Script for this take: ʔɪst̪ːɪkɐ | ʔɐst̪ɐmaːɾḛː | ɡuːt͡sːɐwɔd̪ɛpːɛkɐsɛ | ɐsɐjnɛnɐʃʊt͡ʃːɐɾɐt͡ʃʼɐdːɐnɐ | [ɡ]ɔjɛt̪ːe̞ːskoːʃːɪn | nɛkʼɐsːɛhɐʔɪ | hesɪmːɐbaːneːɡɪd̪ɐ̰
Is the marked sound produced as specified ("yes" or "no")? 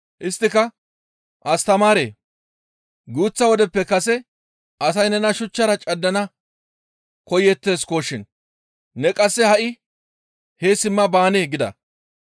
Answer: no